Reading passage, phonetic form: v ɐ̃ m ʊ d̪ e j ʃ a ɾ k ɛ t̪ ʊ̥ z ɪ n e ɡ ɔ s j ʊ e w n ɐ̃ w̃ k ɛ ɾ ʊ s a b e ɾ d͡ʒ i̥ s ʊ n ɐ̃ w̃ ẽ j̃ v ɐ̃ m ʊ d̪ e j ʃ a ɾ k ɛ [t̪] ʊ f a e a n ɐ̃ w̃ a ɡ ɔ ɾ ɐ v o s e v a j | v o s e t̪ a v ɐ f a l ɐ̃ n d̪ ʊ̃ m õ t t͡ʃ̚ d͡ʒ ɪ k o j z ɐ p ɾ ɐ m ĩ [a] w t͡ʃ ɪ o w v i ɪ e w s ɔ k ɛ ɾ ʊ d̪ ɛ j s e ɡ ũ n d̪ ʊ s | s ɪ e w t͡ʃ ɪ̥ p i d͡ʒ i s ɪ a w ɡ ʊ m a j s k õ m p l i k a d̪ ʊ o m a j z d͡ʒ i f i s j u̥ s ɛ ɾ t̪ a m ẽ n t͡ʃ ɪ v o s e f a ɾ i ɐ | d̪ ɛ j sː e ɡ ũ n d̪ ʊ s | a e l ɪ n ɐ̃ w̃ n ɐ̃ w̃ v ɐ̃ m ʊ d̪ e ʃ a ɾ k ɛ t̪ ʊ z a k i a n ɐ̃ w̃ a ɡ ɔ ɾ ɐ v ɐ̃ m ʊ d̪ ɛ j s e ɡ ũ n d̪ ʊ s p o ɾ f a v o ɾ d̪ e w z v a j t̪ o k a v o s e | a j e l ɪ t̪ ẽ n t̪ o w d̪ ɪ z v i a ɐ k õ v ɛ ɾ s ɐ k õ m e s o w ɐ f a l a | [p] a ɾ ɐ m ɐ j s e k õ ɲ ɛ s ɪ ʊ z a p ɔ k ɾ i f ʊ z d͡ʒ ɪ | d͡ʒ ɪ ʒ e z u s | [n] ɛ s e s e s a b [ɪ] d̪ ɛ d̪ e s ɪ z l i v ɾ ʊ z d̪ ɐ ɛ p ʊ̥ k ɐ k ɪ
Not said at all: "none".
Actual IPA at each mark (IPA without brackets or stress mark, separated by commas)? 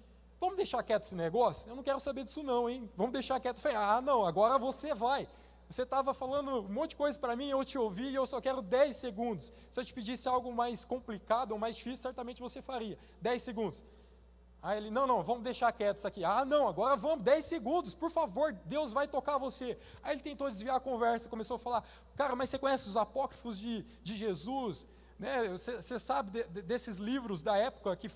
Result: t̪, e, k, n, ɪ